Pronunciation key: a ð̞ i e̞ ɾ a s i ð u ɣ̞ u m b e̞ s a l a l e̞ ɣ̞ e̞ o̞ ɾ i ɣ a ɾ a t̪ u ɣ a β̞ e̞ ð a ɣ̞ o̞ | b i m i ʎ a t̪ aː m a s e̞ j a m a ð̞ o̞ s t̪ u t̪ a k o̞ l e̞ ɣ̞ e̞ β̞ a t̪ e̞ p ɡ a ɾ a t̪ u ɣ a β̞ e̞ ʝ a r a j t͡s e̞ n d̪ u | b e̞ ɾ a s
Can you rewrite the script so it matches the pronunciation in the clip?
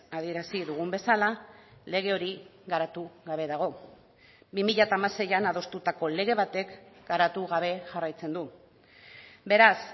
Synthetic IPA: a ð̞ i e̞ ɾ a s i ð u ɣ̞ u m b e̞ s a l a l e̞ ɣ̞ e̞ o̞ ɾ i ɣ a ɾ a t̪ u ɣ a β̞ e̞ ð a ɣ̞ o̞ | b i m i ʎ a t̪ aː m a s e̞ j a n a ð̞ o̞ s t̪ u t̪ a k o̞ l e̞ ɣ̞ e̞ β̞ a t̪ e̞ k ɡ a ɾ a t̪ u ɣ a β̞ e̞ ʝ a r a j t͡s e̞ n d̪ u | b e̞ ɾ a s